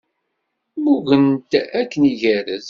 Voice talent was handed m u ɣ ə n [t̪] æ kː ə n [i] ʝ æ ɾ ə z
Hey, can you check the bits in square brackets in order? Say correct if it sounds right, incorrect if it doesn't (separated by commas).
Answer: correct, correct